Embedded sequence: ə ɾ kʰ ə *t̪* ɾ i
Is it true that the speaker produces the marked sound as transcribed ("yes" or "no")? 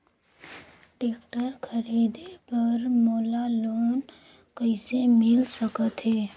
no